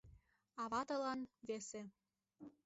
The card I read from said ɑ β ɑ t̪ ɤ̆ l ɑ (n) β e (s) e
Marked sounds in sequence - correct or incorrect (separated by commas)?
correct, correct